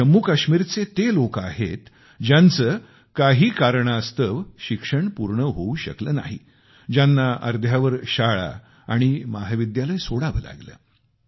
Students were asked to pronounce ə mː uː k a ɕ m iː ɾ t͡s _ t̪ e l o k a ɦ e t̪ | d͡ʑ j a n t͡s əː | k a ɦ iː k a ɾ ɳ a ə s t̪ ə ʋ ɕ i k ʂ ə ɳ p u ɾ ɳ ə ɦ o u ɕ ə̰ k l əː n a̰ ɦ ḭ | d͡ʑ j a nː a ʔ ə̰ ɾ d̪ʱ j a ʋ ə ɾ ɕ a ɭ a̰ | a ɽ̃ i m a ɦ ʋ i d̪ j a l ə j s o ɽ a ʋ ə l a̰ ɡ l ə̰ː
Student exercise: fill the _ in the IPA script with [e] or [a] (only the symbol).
e